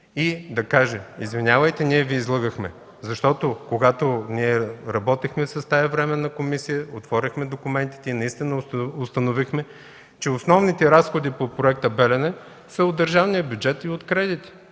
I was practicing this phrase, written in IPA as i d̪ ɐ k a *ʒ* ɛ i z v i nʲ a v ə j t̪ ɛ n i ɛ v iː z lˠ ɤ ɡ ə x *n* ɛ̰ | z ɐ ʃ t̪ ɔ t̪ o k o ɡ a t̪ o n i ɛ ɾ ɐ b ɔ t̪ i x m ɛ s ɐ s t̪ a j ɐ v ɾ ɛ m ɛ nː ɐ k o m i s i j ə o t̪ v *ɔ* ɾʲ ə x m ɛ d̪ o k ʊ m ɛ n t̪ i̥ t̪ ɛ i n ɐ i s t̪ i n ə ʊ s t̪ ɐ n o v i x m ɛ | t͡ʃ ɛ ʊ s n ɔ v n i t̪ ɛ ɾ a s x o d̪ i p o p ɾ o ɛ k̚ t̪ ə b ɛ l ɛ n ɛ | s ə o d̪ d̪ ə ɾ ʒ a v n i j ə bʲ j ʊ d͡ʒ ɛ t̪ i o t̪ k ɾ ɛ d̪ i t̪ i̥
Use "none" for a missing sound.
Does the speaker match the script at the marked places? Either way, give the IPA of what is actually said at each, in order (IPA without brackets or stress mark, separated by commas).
ʒ, m, ɔ